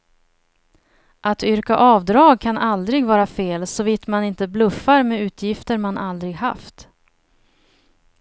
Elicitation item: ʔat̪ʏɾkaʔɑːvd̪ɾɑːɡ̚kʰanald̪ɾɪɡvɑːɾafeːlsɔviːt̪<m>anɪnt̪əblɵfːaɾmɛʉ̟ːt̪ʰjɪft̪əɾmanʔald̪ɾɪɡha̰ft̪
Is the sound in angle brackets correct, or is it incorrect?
correct